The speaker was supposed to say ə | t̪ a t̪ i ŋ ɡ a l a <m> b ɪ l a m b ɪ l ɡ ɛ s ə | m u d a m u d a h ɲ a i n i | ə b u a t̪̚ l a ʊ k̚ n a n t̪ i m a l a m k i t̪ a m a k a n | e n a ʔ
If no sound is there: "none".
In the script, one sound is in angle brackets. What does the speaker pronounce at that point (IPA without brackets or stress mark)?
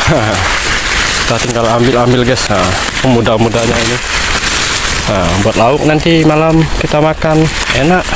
m